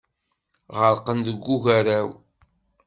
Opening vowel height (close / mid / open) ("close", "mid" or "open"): mid